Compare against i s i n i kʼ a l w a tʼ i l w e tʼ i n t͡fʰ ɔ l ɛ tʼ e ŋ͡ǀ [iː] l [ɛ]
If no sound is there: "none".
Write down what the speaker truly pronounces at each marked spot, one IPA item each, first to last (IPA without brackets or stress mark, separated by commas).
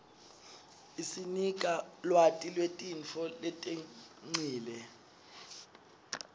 iː, ɛ